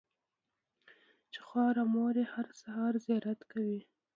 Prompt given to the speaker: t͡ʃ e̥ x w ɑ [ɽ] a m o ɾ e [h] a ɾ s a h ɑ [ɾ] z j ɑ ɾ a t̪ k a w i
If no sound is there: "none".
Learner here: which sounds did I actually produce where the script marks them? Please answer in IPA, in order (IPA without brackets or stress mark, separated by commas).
ɾ, h, ɾ